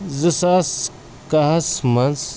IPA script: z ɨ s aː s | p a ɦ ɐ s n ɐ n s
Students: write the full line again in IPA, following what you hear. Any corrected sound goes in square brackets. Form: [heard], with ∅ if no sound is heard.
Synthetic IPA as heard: z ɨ s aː s | [k] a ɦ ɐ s [m] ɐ n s